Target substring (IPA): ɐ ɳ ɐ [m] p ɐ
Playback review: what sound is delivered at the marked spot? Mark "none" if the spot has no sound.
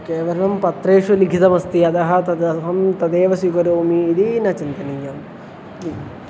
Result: m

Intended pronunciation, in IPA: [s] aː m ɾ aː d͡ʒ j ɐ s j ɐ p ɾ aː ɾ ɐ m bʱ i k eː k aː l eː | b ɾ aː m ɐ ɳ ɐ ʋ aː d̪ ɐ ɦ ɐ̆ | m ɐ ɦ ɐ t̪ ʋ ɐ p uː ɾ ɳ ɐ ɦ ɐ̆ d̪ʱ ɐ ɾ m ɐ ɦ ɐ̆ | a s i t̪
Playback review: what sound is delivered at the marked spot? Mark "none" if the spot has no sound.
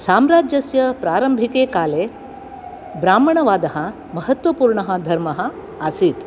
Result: s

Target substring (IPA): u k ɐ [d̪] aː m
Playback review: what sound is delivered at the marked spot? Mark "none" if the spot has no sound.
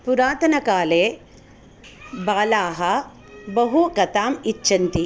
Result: t̪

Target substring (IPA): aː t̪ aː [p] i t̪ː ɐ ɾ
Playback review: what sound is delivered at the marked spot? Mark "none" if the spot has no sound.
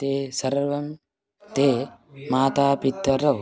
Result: p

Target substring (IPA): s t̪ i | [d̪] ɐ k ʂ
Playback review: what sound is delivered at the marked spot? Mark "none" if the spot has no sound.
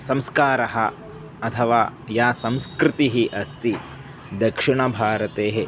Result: d̪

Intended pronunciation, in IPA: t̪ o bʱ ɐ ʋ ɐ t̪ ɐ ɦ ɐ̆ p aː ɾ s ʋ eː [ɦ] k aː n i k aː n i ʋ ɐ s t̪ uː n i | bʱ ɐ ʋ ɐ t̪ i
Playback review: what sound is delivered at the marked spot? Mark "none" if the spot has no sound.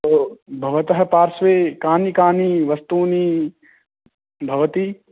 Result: none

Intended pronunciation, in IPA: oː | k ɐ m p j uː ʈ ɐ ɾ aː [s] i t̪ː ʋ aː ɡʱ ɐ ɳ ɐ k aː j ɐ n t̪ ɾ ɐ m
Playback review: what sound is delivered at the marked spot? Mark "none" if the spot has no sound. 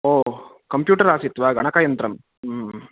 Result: s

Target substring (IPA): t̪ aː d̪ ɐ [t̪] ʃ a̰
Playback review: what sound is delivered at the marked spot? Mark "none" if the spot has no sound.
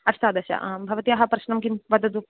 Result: none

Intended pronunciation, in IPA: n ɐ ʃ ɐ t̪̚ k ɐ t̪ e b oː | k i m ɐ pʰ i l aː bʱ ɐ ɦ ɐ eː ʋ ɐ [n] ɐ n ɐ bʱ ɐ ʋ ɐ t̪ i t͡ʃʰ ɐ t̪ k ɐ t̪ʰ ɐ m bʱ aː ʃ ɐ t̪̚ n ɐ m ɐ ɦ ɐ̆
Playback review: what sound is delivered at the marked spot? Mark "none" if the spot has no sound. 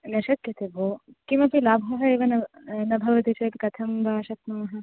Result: n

